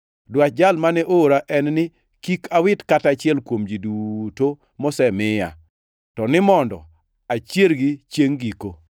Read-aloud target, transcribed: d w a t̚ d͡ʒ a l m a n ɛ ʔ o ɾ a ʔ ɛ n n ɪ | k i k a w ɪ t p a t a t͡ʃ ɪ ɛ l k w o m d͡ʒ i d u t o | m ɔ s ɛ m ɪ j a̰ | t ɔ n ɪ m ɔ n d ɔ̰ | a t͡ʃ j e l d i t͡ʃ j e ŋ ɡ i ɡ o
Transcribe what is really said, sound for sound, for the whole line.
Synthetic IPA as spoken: d w a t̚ d͡ʒ a l m a n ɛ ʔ o ɾ a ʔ ɛ n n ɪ | k i k a w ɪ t k a t a t͡ʃ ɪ ɛ l k w o m d͡ʒ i d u t o | m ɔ s ɛ m ɪ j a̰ | t ɔ n ɪ m ɔ n d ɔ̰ | a t͡ʃ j e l ɡ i t͡ʃ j e ŋ ɡ i k o